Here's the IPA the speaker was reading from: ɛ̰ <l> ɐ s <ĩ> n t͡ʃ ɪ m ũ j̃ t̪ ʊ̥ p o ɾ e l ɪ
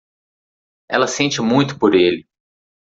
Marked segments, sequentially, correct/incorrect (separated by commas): correct, incorrect